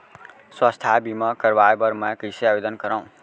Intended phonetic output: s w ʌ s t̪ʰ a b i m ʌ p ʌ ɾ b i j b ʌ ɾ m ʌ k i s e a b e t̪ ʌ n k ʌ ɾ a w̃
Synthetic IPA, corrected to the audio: s w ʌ s t̪ʰ a b i m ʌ k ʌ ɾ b a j b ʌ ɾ m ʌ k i s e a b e d̪ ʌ n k ʌ ɾ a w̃